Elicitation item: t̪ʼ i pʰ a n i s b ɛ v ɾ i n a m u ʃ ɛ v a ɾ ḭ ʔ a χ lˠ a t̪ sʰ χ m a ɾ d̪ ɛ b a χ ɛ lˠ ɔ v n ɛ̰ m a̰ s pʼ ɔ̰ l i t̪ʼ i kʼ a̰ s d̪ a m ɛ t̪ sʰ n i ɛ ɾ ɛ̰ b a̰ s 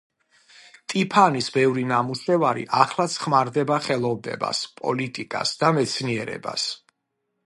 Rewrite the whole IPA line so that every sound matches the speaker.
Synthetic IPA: t̪ʼ i pʰ a n i s b ɛ v ɾ i n a m u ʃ ɛ v a ɾ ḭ ʔ a χ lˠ a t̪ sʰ χ m a ɾ d̪ ɛ b a χ ɛ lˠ ɔ v n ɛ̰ b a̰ s pʼ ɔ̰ l i t̪ʼ i kʼ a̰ s d̪ a m ɛ t̪ sʰ n i ɛ ɾ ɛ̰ b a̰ s